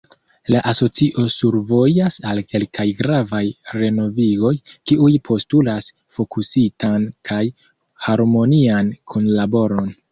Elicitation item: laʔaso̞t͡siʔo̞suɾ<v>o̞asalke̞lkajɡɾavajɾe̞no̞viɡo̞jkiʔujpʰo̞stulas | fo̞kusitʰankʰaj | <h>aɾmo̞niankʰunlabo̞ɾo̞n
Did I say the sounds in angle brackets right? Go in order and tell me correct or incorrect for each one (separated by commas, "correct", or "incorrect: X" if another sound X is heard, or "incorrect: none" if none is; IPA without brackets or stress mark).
correct, correct